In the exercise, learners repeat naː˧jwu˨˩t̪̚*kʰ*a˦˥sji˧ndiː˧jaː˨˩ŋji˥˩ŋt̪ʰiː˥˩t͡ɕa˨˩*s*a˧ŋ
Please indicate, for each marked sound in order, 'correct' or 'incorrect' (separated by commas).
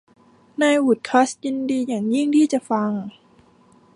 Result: correct, incorrect